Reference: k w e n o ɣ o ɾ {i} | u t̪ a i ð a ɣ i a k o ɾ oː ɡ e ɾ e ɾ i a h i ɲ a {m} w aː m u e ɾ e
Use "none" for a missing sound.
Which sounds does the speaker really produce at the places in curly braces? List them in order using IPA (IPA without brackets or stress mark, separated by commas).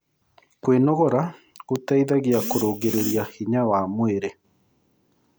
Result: a, none